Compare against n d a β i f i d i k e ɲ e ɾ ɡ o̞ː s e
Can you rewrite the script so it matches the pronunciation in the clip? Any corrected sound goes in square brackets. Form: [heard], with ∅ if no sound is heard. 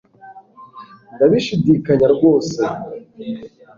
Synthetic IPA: n d a β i [ʃ] i d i k [a] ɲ [a] ɾ ɡ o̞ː s e

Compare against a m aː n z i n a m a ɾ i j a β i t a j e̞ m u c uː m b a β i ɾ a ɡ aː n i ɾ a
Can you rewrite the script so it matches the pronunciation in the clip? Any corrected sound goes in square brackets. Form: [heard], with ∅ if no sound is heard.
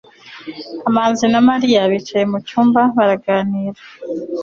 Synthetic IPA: a m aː n z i n a m a ɾ i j a β i [t͡ʃ] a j e̞ m u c uː m b a β [a] ɾ a ɡ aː n i ɾ a

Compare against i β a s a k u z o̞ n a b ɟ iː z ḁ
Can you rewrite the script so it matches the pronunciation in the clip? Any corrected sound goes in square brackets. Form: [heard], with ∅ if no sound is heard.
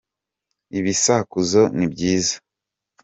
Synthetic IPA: i β [i] s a k u z o̞ n [i] b ɟ iː z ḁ

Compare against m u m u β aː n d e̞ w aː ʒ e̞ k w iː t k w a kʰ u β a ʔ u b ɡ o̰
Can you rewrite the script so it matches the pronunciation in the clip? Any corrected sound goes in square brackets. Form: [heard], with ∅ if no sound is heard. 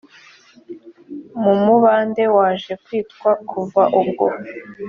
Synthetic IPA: m u m u β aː n d e̞ w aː ʒ e̞ k w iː t k w a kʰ u [v] a ʔ u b ɡ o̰

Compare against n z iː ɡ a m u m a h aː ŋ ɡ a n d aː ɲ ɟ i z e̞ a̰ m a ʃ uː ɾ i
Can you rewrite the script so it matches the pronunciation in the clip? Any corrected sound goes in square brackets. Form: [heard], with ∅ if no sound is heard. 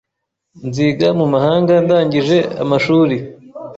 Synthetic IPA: n z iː ɡ a m u m a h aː ŋ ɡ a n d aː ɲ ɟ i [ʒ] e̞ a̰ m a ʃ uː ɾ i

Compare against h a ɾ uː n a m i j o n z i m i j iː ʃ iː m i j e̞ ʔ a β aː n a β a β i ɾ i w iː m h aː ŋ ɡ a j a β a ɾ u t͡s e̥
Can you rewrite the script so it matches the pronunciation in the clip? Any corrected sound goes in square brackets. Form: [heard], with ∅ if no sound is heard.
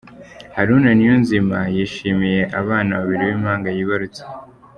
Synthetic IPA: h a ɾ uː n a [n] i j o n z i m [a] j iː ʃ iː m i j e̞ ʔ a β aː n a β a β i ɾ i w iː m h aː ŋ ɡ a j [i] β a ɾ u t͡s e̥

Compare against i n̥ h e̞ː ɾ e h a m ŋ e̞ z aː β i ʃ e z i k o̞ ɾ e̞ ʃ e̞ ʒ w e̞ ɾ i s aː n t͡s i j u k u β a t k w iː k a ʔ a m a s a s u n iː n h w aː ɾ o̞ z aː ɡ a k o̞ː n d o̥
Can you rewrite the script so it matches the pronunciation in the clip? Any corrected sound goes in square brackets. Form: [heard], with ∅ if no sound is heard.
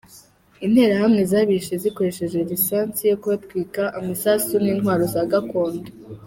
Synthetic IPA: i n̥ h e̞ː ɾ [a] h a m ŋ e̞ z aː β i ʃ e z i k o̞ ɾ e̞ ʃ e̞ ʒ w e̞ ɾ i s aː n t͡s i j [o] k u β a t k w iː k a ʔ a m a s a s u n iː n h w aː ɾ o̞ z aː ɡ a k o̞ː n d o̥

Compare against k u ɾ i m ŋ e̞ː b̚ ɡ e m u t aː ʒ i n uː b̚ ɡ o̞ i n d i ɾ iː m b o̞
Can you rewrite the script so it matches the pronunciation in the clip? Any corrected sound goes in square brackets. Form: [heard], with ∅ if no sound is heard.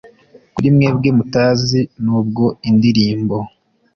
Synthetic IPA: k u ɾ i m ŋ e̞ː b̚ ɡ e m u t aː [z] i n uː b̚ ɡ o̞ i n d i ɾ iː m b o̞

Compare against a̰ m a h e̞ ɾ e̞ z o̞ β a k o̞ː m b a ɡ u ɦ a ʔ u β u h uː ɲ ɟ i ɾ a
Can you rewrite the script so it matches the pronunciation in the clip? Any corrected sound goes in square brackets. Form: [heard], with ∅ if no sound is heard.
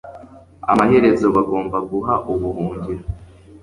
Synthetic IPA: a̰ m a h e̞ ɾ e̞ z o̞ β a [ɡ] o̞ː m b a ɡ u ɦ a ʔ u β u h uː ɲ ɟ i ɾ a

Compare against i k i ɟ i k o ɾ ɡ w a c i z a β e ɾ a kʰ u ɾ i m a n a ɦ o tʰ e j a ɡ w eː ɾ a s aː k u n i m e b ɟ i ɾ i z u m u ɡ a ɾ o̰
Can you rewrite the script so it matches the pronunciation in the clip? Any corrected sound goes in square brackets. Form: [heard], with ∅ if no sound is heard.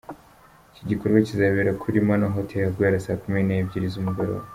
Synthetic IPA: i [c] i ɟ i k o ɾ ɡ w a c i z a β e ɾ a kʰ u ɾ i m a n a ɦ o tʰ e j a ɡ w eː ɾ a s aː k u [m] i [n] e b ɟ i ɾ i z u m u ɡ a ɾ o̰

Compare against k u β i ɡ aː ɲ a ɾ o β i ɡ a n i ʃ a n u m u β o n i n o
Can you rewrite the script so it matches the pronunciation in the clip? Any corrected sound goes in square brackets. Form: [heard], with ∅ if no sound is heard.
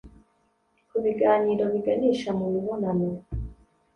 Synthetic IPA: k u β i ɡ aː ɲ [i] ɾ o β i ɡ a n i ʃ a [m] u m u β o n [a] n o

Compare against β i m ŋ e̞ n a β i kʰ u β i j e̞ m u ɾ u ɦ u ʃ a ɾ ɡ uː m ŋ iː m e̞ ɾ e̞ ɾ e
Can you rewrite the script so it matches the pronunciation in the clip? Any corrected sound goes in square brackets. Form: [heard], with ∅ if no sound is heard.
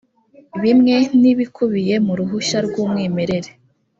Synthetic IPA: β i m ŋ e̞ n [i] β i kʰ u β i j e̞ m u ɾ u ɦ u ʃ a ɾ ɡ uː m ŋ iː m e̞ ɾ e̞ ɾ e

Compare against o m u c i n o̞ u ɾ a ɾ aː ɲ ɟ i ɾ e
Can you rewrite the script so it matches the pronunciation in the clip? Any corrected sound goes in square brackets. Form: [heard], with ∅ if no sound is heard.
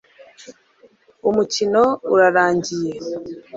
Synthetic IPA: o m u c i n o̞ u ɾ a ɾ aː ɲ ɟ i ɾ e

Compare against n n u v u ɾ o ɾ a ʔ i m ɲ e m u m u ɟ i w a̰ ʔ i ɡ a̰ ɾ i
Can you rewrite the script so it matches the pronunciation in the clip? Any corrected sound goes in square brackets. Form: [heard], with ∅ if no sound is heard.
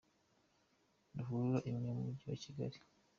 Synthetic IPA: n [d] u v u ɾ [u] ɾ a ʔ i m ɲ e m u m u ɟ i w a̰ [c] i ɡ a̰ ɾ i

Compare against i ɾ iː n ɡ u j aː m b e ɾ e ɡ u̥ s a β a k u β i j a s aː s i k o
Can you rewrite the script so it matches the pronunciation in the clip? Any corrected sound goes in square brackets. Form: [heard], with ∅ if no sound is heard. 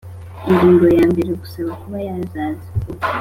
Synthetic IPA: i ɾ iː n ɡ [o] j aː m b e ɾ e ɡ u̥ s a β a k u β [a] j a [z] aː [z] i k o

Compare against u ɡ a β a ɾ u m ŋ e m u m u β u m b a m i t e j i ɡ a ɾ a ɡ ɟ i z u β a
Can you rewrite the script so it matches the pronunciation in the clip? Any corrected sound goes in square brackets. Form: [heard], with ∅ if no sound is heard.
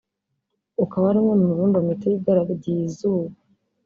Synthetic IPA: u [k] a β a ɾ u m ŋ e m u m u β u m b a m i t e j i ɡ a ɾ a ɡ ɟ i z u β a

